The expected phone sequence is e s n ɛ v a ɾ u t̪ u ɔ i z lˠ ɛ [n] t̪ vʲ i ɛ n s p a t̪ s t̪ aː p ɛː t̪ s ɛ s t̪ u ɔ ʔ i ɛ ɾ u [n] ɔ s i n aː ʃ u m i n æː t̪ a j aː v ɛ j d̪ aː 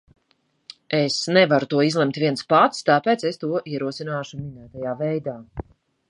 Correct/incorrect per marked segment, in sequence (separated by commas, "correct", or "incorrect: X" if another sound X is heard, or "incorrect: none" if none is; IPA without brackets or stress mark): incorrect: m, incorrect: none